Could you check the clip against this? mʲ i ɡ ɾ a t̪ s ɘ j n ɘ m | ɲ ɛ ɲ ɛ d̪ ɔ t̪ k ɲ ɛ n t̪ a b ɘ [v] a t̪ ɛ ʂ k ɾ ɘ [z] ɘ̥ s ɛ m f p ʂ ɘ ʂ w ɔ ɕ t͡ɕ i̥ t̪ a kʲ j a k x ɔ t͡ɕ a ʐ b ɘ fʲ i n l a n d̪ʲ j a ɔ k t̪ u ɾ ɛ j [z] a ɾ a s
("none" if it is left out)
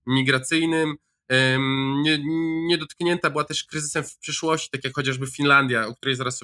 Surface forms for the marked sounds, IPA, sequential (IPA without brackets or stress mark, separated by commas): w, z, z